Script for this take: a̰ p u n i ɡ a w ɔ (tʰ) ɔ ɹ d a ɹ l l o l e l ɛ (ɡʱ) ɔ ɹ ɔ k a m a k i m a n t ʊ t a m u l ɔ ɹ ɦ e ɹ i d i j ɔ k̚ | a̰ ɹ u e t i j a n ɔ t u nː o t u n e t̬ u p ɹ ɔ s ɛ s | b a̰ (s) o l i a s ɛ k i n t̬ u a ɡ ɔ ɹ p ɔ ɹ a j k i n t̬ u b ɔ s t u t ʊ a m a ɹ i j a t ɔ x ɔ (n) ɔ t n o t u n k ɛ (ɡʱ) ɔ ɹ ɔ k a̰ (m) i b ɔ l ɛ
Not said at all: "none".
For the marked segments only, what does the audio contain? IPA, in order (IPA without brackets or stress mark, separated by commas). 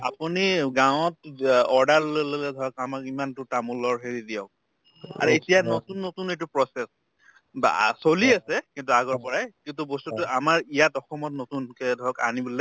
t, dʱ, s, m, dʱ, n